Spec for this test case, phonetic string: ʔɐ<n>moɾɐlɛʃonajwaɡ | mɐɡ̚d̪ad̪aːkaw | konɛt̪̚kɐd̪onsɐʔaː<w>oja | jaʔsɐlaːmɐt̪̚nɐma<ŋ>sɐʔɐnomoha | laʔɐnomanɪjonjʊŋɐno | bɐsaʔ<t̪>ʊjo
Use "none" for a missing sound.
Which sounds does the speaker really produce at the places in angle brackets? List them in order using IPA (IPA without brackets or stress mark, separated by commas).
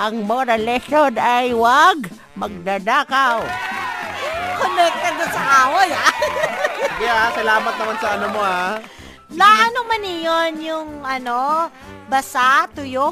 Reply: ŋ, w, n, t̪